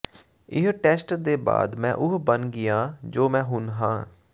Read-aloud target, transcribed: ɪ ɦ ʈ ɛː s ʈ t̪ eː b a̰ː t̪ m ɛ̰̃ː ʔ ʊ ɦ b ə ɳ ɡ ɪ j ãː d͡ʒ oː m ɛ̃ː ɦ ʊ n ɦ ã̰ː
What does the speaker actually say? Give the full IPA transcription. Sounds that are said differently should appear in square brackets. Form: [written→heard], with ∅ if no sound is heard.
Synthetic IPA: ɪ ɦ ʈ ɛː s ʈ [t̪→d̪] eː b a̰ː [t̪→d̪] m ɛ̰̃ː ʔ ʊ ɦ b ə [ɳ→n] ɡ ɪ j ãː d͡ʒ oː m ɛ̃ː ɦ ʊ n ɦ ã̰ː